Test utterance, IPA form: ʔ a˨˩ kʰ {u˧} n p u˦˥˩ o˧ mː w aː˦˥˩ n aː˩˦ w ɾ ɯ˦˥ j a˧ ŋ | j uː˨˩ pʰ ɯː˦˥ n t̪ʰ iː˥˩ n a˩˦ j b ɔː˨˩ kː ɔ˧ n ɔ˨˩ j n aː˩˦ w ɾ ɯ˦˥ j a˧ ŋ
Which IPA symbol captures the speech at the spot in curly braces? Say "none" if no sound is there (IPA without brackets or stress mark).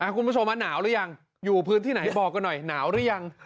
u˧